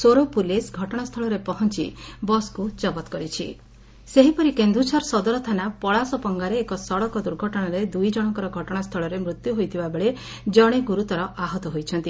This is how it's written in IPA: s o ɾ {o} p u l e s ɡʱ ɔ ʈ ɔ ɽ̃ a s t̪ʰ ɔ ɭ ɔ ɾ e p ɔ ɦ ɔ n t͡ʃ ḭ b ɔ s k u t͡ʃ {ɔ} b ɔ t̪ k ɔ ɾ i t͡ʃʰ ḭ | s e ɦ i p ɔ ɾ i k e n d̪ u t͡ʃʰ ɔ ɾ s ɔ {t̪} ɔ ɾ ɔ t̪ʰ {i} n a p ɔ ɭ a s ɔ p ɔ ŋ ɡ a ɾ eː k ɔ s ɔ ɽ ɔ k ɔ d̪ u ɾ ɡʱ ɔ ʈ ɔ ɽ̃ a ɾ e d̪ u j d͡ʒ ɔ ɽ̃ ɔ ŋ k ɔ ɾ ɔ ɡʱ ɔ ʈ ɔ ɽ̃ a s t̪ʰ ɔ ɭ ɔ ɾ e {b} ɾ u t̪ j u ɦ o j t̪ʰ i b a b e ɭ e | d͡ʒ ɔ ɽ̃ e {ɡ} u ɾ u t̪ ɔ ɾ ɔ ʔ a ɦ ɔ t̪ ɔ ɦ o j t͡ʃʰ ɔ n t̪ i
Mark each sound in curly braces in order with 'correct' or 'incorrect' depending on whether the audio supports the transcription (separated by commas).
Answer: correct, correct, incorrect, incorrect, incorrect, correct